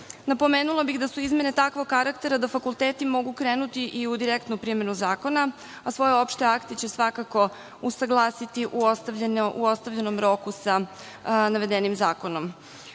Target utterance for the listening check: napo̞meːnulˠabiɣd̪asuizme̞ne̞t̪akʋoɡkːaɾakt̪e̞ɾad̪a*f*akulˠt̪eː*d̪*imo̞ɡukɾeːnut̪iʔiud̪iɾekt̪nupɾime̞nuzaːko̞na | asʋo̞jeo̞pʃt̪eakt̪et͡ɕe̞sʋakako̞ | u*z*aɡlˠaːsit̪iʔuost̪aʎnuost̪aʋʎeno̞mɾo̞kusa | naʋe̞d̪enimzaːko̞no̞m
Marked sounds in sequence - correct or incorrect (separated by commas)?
correct, incorrect, incorrect